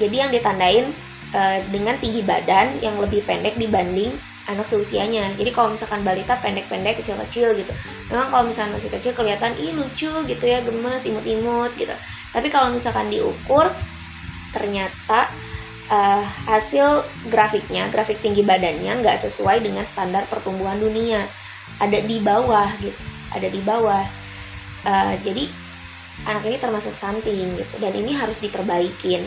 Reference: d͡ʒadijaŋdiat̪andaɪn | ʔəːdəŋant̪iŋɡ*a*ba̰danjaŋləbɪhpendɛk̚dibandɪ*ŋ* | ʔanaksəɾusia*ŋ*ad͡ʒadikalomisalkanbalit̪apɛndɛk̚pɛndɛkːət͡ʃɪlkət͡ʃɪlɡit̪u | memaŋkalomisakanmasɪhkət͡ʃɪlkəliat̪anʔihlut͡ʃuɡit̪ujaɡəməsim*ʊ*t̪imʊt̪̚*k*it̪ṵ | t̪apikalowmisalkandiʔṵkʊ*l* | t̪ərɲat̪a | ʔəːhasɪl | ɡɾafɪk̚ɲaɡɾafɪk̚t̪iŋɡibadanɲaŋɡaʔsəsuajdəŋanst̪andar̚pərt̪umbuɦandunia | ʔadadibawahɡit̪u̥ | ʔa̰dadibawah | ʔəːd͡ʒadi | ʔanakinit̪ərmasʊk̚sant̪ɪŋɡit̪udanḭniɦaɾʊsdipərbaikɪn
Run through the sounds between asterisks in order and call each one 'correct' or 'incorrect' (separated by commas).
incorrect, correct, incorrect, correct, incorrect, incorrect